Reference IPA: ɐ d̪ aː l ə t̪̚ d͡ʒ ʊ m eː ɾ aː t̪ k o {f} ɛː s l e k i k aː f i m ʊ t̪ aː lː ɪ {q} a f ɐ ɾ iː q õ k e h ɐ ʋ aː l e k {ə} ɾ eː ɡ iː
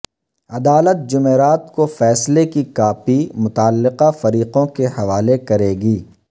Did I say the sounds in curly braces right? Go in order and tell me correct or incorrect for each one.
correct, correct, incorrect: ɐ

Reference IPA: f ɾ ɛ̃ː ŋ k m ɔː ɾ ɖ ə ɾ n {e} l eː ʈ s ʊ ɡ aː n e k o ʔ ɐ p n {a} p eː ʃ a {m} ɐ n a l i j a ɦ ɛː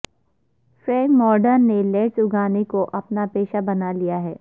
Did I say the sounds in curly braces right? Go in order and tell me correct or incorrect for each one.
correct, correct, incorrect: b

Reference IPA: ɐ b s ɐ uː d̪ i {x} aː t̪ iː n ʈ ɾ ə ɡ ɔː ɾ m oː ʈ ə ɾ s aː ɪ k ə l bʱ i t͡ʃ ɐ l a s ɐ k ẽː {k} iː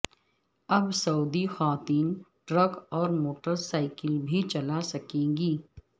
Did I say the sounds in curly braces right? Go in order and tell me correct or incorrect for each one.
correct, incorrect: ɡ

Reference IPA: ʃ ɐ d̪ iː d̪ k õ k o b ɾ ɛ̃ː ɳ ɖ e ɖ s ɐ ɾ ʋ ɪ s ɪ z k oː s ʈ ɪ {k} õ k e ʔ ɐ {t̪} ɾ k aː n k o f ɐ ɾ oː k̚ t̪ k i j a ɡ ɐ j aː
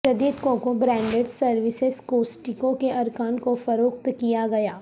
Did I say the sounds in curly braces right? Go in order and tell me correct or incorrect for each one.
correct, incorrect: none

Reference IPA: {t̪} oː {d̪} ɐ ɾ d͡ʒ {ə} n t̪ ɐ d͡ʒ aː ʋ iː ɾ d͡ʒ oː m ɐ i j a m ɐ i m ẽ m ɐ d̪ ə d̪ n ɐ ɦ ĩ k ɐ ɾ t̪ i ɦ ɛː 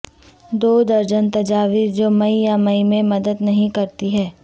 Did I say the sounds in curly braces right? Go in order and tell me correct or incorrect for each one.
incorrect: d̪, correct, correct

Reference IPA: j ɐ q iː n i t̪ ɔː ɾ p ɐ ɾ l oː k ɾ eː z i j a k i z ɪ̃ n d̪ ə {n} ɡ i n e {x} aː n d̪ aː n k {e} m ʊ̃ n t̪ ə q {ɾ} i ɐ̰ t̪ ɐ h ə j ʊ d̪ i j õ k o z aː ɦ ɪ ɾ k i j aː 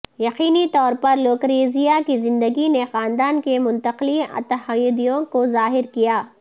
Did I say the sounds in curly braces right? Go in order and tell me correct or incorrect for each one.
incorrect: none, correct, correct, incorrect: l

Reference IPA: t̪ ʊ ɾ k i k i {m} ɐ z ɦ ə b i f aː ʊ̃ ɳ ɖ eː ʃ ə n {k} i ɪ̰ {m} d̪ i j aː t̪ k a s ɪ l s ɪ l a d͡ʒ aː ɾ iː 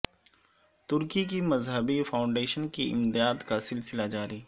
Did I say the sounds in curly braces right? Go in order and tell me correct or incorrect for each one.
correct, correct, correct

